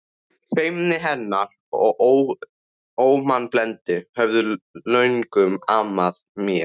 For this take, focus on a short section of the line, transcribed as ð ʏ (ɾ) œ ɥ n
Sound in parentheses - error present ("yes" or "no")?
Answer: yes